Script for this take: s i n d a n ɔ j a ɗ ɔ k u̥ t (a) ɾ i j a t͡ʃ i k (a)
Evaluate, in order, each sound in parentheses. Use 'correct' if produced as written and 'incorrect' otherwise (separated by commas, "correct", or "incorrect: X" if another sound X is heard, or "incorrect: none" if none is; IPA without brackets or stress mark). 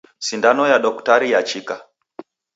correct, correct